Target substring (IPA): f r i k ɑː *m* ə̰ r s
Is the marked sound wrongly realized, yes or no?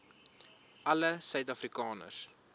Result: yes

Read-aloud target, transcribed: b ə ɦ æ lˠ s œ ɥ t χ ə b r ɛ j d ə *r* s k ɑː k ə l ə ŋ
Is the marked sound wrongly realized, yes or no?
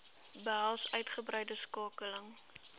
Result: yes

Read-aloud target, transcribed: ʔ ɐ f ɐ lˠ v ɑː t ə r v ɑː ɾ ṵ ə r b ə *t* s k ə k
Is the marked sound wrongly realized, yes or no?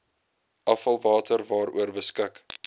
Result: yes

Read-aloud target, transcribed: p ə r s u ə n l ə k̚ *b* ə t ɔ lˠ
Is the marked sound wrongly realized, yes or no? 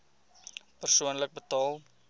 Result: no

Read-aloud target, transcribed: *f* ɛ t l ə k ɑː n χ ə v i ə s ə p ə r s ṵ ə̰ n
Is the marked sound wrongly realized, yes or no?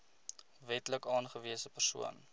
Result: yes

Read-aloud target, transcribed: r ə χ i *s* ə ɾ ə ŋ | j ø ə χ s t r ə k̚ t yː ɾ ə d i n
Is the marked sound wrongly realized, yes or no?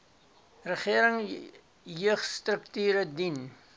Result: yes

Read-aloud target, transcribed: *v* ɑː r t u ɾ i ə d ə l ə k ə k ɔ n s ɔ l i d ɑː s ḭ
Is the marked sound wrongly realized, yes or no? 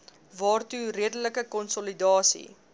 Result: no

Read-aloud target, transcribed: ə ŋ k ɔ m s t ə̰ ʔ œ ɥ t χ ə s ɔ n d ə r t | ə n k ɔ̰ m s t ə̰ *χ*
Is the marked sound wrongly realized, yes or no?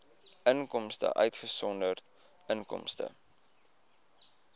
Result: yes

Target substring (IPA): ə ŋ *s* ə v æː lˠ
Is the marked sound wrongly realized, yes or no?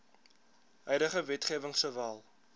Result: no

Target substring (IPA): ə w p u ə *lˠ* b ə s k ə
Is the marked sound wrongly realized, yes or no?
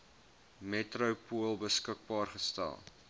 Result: no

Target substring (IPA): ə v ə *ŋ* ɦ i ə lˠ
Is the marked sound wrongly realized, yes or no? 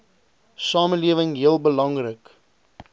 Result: no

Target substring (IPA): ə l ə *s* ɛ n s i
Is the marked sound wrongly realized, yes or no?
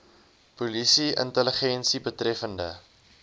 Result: yes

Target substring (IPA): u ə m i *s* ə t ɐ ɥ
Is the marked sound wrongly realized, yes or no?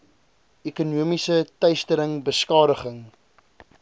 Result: no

